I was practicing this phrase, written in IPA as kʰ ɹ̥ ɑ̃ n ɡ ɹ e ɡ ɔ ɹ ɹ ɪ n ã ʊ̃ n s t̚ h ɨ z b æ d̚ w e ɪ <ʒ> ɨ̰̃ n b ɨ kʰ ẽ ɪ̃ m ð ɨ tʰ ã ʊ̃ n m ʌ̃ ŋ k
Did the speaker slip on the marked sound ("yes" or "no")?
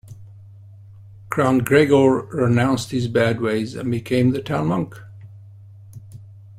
yes